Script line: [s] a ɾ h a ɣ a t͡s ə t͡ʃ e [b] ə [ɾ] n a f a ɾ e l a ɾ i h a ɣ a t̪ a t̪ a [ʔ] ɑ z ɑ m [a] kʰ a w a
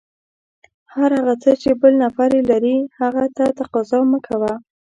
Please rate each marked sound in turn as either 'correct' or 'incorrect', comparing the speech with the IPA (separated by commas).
incorrect, correct, incorrect, incorrect, incorrect